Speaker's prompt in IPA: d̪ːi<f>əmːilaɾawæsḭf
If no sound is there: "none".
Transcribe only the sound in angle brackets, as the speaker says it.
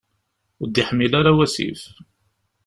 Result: ħ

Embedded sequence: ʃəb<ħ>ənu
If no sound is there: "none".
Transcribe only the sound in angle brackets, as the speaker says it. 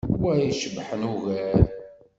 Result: ħ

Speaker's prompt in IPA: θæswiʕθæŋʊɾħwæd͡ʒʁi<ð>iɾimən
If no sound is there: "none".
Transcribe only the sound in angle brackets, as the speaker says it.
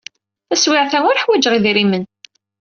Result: ð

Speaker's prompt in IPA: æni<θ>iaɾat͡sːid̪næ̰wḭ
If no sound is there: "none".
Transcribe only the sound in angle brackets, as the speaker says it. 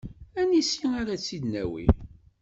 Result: s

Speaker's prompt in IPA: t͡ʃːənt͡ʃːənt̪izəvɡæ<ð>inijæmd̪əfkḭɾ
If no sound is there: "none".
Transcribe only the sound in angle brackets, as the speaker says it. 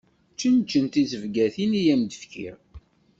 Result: θ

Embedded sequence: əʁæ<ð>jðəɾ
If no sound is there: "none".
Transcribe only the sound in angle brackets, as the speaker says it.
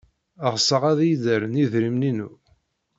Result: ð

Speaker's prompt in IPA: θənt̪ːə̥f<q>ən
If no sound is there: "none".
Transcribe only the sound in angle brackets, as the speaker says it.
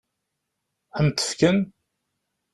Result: k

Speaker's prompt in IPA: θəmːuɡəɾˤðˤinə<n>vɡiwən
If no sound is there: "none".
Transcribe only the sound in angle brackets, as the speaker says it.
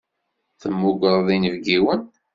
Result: none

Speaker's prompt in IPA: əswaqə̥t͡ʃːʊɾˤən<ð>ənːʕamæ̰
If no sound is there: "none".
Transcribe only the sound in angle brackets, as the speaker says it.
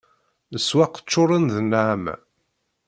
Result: ð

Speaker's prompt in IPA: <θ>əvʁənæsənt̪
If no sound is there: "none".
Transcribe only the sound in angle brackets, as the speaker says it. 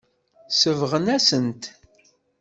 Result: s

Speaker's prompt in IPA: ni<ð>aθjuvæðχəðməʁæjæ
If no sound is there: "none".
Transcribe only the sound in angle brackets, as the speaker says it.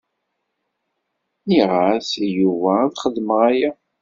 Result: ʁ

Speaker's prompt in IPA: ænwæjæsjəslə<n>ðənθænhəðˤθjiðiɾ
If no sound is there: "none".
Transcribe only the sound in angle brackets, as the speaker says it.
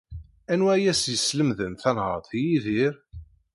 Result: m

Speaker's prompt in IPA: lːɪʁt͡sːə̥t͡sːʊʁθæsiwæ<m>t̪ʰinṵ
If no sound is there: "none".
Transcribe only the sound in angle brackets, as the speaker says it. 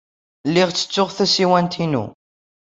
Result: n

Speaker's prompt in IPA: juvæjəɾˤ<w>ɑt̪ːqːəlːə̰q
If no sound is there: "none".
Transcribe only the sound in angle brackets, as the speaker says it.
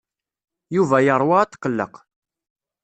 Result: w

